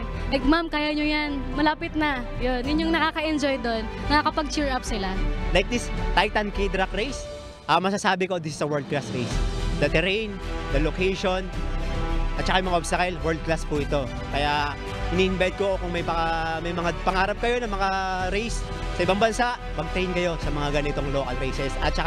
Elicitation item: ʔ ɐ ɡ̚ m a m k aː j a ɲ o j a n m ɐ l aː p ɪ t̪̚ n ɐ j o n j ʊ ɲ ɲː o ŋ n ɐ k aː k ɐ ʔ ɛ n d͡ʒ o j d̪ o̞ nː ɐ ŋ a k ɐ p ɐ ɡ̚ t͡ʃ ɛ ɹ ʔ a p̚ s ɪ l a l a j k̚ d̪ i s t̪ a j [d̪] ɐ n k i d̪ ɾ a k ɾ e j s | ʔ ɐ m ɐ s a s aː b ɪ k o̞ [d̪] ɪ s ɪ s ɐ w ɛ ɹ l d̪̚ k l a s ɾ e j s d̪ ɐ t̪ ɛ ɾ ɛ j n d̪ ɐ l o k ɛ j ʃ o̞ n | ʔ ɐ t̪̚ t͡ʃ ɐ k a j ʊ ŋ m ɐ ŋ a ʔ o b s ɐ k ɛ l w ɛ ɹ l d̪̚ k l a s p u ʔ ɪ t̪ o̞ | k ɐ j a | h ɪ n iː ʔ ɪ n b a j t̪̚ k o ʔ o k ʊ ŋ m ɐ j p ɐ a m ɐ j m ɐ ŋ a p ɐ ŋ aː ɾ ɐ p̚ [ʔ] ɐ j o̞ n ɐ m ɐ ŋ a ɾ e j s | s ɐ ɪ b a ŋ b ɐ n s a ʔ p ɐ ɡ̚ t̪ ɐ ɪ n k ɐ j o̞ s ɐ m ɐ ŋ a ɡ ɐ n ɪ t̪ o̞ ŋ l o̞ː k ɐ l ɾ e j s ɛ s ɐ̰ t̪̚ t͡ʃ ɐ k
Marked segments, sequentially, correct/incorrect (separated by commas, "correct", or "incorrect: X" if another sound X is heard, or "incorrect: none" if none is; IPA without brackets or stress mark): incorrect: t̪, correct, incorrect: k